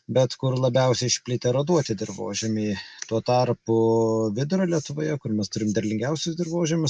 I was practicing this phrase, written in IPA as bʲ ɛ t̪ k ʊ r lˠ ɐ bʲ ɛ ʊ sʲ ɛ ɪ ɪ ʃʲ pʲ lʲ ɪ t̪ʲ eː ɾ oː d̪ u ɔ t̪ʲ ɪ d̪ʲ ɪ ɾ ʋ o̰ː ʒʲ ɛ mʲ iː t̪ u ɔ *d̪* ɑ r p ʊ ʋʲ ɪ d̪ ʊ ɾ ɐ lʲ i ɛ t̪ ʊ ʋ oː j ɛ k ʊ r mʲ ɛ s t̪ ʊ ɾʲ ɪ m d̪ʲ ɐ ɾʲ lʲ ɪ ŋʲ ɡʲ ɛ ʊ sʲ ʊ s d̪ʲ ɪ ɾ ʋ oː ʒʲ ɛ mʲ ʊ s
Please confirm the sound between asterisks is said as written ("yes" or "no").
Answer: no